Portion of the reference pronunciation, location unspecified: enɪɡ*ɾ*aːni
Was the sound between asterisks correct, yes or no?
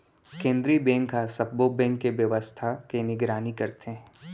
yes